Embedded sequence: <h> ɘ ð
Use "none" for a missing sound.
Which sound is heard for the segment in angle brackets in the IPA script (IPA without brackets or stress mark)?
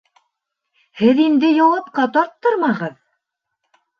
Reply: h